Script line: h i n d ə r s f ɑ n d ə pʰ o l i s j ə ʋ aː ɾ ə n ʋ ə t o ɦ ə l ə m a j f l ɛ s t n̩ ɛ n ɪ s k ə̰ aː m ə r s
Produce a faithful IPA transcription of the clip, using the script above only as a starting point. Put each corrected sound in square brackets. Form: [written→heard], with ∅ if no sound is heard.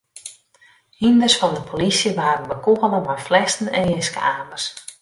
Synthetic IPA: h i n d ə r s f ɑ n d ə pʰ o l i s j ə ʋ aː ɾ ə n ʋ ə [t→k] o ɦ ə l ə m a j f l ɛ s t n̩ ɛ n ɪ s k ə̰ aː m ə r s